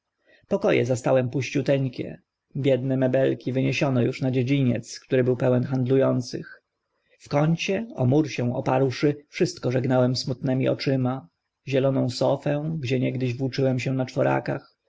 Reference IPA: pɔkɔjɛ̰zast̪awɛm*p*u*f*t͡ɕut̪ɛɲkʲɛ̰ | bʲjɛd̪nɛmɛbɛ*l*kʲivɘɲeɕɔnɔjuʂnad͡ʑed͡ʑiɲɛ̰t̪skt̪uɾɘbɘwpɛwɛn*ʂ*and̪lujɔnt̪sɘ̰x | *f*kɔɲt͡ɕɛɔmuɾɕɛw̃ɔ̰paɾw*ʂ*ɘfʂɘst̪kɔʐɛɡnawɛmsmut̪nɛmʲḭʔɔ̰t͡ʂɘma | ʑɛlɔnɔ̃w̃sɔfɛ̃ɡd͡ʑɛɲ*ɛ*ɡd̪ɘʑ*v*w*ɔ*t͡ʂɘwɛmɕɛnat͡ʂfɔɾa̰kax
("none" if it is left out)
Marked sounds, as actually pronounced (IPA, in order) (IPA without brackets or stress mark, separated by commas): p, ɕ, l, x, f, ʂ, ɛ, v, u